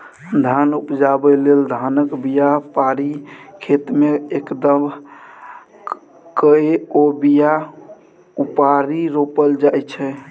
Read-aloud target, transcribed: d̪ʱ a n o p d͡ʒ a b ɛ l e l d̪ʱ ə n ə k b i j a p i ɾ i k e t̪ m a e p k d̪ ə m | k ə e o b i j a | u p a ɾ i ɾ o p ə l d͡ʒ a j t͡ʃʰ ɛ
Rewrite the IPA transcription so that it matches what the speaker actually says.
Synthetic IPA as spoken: d̪ʱ a n u p d͡ʒ a b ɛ l e l d̪ʱ a n ə k b i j a p a ɾ i kʰ e t̪ m e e k d̪ ə m | k ə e o b i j a | u p a ɾ i ɾ o p ə l d͡ʒ a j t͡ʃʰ ɛ